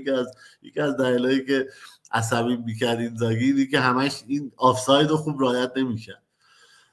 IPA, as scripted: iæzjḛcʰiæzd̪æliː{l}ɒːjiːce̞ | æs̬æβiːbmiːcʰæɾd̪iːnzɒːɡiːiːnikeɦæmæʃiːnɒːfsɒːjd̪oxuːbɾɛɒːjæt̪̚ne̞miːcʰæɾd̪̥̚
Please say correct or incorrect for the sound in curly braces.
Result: correct